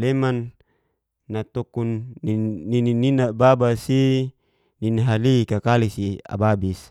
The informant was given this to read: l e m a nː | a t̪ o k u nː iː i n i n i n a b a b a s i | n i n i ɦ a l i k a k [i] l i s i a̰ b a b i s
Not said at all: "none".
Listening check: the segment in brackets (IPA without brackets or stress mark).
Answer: a